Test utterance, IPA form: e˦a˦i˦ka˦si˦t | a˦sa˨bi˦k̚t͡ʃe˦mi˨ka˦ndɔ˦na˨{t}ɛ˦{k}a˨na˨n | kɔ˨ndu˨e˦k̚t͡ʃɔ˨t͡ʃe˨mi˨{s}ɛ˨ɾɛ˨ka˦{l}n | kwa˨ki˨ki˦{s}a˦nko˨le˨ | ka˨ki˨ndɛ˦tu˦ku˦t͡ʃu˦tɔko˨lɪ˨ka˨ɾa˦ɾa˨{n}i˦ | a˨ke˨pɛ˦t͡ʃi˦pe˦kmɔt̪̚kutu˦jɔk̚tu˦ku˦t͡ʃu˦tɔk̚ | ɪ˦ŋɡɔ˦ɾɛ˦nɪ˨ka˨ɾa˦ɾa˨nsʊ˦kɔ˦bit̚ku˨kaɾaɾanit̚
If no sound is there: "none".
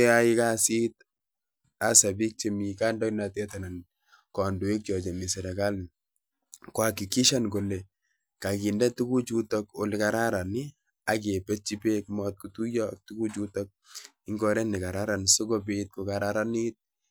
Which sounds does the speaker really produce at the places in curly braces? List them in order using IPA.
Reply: t, t, s, l, ʃ, n

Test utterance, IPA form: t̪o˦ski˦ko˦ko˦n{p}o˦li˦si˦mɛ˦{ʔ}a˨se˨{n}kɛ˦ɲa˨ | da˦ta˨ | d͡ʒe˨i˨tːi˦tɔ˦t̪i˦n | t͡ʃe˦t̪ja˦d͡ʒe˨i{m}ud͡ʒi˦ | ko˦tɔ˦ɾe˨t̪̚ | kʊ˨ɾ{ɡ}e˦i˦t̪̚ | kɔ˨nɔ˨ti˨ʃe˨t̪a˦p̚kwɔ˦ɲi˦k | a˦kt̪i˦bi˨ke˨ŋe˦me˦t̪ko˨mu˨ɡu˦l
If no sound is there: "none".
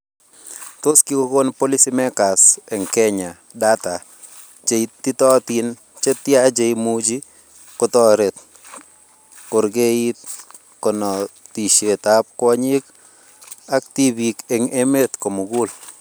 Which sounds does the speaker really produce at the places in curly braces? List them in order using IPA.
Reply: p, k, ŋ, m, ɡ

